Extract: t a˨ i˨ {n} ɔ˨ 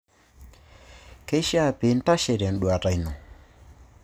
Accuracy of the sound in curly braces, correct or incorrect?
correct